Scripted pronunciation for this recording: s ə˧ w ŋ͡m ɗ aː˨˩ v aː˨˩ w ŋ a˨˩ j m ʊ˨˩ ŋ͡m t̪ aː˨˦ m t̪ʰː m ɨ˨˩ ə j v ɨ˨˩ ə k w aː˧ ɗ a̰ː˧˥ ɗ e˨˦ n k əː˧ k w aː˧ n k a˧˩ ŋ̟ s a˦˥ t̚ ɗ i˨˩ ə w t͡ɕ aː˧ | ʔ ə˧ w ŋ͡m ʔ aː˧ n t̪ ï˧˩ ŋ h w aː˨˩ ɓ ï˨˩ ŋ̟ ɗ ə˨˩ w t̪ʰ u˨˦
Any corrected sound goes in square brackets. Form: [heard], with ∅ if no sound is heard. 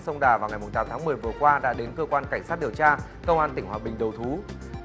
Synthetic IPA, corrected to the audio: s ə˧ w ŋ͡m ɗ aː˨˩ v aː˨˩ w ŋ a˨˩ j m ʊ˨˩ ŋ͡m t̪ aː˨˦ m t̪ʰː m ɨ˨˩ ə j v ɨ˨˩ ə k w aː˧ ɗ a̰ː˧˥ ɗ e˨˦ n k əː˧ k w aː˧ n k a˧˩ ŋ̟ s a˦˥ t̚ ɗ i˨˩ ə w t͡ɕ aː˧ | [k] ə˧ w ŋ͡m ʔ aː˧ n t̪ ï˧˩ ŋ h w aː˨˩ ɓ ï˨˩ ŋ̟ ɗ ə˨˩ w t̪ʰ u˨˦